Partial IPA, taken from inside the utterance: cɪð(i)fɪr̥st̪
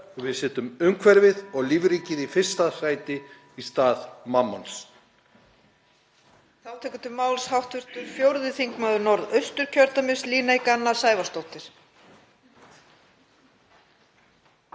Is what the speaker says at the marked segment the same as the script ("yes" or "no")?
yes